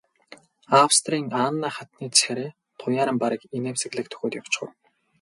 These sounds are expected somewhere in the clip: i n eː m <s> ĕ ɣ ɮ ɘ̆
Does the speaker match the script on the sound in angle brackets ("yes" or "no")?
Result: yes